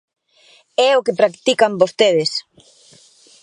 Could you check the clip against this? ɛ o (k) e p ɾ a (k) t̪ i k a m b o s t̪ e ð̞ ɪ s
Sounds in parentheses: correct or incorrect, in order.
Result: correct, correct

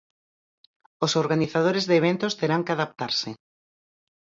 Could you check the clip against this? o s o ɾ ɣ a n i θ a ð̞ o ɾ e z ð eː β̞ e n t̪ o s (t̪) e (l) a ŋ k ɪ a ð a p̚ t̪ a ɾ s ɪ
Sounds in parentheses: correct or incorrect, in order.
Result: correct, incorrect: ɾ

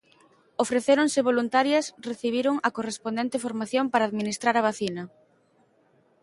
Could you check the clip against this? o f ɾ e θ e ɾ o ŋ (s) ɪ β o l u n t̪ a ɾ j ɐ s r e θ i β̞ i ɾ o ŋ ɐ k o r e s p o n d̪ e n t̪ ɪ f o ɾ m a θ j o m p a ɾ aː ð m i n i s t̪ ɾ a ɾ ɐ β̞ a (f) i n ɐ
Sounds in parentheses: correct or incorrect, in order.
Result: correct, incorrect: θ

